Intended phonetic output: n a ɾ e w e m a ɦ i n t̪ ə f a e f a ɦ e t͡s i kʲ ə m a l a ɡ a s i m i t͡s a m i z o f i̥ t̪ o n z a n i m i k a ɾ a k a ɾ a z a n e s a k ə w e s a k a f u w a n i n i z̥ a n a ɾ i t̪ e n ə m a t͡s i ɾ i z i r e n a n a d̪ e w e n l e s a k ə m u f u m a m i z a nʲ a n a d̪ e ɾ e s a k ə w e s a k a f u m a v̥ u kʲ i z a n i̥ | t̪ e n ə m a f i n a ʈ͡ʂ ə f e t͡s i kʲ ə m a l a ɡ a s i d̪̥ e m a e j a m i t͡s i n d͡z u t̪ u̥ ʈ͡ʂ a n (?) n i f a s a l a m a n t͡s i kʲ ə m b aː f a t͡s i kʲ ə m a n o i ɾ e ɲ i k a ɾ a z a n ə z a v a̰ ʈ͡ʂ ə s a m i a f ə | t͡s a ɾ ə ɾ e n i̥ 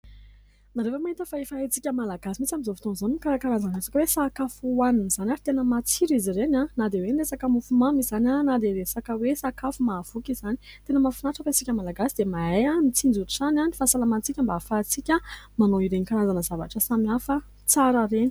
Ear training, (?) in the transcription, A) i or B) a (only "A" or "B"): B